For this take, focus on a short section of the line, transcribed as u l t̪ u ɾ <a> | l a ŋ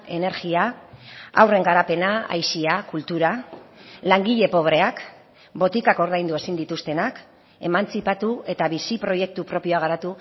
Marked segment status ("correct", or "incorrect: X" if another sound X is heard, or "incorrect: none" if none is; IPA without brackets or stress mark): correct